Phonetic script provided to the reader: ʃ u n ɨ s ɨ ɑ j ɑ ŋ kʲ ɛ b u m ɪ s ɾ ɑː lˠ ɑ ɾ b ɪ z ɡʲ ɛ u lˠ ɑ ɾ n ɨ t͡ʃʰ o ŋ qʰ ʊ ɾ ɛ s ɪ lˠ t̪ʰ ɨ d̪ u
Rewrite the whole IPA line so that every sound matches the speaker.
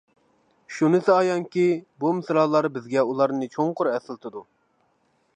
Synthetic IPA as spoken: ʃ u n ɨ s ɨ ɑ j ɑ ŋ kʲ i b u m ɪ s ɾ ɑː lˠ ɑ ɾ b ɪ z ɡʲ ɛ u lˠ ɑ ɾ n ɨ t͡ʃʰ o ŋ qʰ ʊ ɾ ɛ s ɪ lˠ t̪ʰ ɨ d̪ u